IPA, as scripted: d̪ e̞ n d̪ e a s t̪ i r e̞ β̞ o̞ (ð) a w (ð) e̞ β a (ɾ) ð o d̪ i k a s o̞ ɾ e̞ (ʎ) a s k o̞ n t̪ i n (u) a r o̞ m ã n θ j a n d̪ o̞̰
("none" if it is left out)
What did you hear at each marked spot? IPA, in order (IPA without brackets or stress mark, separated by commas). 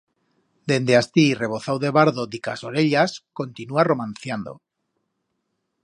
θ, ð, ɾ, ʎ, u